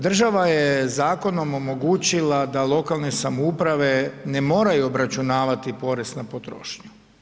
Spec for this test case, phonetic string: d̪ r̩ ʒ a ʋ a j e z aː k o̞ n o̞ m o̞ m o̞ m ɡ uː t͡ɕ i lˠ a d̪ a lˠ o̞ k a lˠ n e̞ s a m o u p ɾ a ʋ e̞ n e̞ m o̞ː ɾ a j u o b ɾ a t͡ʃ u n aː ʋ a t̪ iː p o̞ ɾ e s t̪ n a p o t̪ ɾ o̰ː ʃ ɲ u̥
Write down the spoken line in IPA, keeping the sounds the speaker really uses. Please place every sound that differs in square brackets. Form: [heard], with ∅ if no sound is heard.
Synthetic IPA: d̪ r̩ ʒ a ʋ a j e z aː k o̞ n o̞ m o̞ m o̞ [∅] ɡ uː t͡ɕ i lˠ a d̪ a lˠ o̞ k a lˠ n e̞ s a m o u p ɾ a ʋ e̞ n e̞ m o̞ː ɾ a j u o b ɾ a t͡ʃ u n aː ʋ a t̪ [i] p o̞ ɾ e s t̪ n a p o t̪ ɾ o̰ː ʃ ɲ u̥